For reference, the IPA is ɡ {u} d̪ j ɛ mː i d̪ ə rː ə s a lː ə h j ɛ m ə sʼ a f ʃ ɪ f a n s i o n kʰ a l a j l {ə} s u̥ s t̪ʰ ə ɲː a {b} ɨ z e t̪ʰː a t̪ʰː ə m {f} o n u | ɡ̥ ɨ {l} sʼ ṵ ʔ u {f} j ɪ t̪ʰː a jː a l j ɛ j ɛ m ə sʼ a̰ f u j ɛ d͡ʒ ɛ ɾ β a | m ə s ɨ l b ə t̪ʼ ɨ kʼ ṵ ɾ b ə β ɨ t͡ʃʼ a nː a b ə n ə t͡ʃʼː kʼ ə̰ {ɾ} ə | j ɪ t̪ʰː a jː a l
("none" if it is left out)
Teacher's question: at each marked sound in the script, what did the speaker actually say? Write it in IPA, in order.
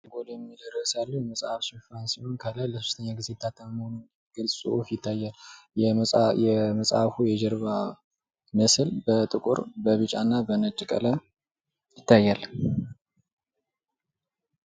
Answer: o, ə, ɡ, h, l, f, l

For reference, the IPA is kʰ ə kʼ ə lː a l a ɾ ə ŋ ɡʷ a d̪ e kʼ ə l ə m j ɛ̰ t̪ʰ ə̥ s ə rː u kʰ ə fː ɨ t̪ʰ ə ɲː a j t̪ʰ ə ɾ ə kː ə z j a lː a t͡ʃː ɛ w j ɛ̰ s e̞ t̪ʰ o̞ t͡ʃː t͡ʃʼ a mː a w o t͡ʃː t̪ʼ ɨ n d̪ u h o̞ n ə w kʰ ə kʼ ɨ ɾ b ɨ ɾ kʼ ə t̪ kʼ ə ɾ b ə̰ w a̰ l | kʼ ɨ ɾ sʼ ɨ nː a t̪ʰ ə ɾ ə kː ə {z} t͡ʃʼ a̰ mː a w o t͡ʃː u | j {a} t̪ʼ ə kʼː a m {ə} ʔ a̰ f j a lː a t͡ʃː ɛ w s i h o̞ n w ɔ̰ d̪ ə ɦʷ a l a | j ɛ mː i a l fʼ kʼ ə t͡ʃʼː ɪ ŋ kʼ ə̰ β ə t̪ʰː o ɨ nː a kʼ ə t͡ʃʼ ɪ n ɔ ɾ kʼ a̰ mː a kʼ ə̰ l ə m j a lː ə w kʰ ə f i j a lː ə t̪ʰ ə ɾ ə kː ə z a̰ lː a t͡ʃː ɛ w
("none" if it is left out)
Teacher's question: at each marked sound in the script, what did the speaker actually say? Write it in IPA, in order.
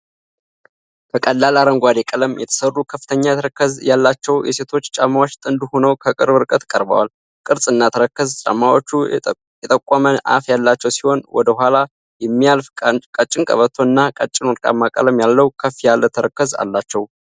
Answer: z, ɛ, ə

